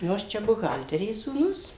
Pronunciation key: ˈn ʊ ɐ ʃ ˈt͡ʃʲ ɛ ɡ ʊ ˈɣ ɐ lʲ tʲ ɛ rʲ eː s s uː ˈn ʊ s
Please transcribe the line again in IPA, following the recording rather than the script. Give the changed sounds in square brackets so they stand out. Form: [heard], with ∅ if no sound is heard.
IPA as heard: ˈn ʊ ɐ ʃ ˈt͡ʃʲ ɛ [b] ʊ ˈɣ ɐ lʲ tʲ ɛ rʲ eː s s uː ˈn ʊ s